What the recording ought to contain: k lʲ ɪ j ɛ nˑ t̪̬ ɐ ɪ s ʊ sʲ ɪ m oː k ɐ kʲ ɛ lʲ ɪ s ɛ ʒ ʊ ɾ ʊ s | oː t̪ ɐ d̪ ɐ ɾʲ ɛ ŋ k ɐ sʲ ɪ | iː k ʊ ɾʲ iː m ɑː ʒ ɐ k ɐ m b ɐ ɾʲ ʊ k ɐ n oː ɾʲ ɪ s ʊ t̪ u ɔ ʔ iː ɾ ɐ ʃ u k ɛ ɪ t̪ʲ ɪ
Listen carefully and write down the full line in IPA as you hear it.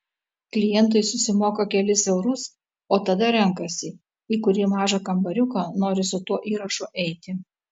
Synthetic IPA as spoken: k lʲ ɪ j ɛ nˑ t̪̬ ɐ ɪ s ʊ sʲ ɪ m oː k ɐ kʲ ɛ lʲ ɪ s ɛ ʊ ɾ ʊ s | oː t̪ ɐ d̪ ɐ ɾʲ ɛ ŋ k ɐ sʲ ɪ | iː k ʊ ɾʲ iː m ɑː ʒ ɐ k ɐ m b ɐ ɾʲ ʊ k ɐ n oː ɾʲ ɪ s ʊ t̪ u ɔ ʔ iː ɾ ɐ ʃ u ʔ ɛ ɪ t̪ʲ ɪ

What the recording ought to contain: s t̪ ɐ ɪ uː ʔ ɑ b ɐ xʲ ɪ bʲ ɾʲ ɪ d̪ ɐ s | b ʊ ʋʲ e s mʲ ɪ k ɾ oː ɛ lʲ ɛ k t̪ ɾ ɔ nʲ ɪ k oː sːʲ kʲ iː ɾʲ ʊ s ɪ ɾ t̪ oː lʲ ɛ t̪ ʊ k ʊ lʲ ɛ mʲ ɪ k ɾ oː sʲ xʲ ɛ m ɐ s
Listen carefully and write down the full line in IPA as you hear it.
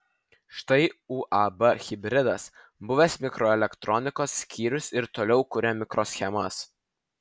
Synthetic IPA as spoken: ʃ t̪ ɐ ɪ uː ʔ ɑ b ɐ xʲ ɪ bʲ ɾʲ ɪ d̪ ɐ s | b ʊ ʋʲ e s mʲ ɪ k ɾ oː ɛ lʲ ɛ k t̪ ɾ ɔ nʲ ɪ k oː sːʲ kʲ iː ɾʲ ʊ s ɪ ɾ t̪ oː lʲ ɛ ʊ k ʊ ɾʲ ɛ mʲ ɪ k ɾ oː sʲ xʲ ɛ m ɐ s

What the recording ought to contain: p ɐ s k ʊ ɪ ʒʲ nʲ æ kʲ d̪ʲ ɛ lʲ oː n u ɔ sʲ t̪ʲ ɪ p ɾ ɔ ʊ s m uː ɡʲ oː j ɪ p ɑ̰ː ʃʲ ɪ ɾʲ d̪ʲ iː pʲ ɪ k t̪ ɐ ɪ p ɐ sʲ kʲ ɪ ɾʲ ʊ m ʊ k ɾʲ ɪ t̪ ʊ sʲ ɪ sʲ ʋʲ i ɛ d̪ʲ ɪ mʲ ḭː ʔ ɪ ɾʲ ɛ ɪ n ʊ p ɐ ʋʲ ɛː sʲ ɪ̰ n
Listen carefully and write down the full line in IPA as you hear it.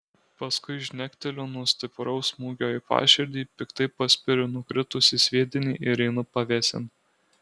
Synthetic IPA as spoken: p ɐ s k ʊ ɪ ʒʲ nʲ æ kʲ t̪ʲ ɛ lʲ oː n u ɔ sʲ t̪ʲ ɪ p ɾ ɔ ʊ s m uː ɡʲ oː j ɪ p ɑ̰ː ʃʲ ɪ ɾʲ d̪ʲ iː pʲ ɪ k t̪ ɐ ɪ p ɐ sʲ pʲ ɪ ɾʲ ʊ n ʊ k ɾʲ ɪ t̪ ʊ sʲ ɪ sʲ ʋʲ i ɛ d̪ʲ ɪ nʲ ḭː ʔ ɪ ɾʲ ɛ ɪ n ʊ p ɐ ʋʲ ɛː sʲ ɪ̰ n

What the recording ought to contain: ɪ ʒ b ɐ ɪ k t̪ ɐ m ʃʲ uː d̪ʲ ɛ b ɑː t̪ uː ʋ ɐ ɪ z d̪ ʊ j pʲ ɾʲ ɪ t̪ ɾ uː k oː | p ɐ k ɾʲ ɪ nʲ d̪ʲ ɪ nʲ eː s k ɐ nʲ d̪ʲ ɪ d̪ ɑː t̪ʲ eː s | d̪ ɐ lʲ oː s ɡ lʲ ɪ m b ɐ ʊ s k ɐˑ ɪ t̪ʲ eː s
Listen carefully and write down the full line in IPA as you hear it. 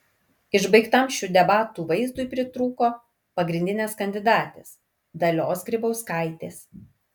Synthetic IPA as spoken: ɪ ʒ b ɐ ɪ k t̪ ɐ m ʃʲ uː d̪ʲ ɛ b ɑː t̪ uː ʋ ɐ ɪ z d̪ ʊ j pʲ ɾʲ ɪ t̪ ɾ uː k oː | p ɐ ɡ ɾʲ ɪ nʲ d̪ʲ ɪ nʲ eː s k ɐ nʲ d̪ʲ ɪ d̪ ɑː t̪ʲ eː s | d̪ ɐ lʲ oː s ɡ ɾʲ ɪ b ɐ ʊ s k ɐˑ ɪ t̪ʲ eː s

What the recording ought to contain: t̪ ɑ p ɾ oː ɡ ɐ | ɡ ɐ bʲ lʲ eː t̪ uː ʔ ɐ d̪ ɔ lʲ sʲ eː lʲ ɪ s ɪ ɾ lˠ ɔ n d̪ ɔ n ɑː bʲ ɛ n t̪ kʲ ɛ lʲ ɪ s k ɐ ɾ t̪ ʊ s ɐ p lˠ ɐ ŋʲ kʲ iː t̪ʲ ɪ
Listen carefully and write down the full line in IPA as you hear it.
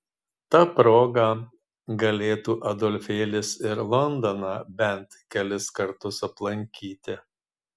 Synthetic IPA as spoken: t̪ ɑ p ɾ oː ɡ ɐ | ɡ ɐ lʲ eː t̪ uː ʔ ɐ d̪ ɔ lʲ fʲ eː lʲ ɪ s ɪ ɾ lˠ ɔ n d̪ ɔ n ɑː bʲ ɛ n t̪ kʲ ɛ lʲ ɪ s k ɐ ɾ t̪ ʊ s ɐ p lˠ ɐ ŋʲ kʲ iː t̪ʲ ɪ

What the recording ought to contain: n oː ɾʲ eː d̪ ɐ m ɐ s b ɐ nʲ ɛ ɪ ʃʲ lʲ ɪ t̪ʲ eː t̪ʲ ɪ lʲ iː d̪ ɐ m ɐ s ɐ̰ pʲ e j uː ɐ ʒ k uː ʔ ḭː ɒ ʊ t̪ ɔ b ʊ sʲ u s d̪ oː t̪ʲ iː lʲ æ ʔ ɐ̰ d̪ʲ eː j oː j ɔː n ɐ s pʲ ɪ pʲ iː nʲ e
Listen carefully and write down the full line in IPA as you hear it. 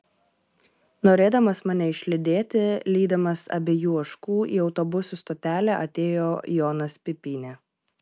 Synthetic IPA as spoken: n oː ɾʲ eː d̪ ɐ m ɐ s m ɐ nʲ ɛ ɪ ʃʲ lʲ ɪ d̪ʲ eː t̪ʲ ɪ lʲ iː d̪ ɐ m ɐ s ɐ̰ bʲ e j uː ɐ ʃ k uː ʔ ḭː ɒ ʊ t̪ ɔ b ʊ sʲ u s t̪ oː t̪ʲ æː lʲ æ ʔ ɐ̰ t̪ʲ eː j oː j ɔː n ɐ s pʲ ɪ pʲ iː nʲ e

